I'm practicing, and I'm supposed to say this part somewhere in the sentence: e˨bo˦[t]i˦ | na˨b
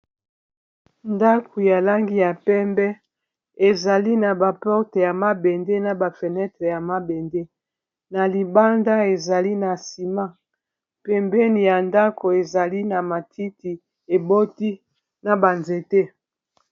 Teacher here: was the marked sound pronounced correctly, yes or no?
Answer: yes